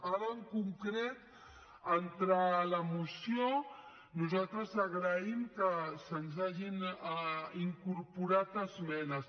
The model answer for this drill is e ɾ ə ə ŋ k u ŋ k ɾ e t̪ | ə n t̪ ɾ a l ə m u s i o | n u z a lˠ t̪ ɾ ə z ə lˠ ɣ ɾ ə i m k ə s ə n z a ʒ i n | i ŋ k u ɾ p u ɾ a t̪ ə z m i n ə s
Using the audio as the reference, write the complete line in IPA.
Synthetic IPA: a ɾ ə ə ŋ k u ŋ k ɾ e t̪ | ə n t̪ ɾ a l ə m u s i o | n u z a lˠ t̪ ɾ ə z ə ɣ ɾ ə i m k ə s ə n z a ʒ i n | i ŋ k u ɾ p u ɾ a t̪ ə z m ɛ n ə s